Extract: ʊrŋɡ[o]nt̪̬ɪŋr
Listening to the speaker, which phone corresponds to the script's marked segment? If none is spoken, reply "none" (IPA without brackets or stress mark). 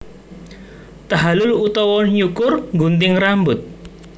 u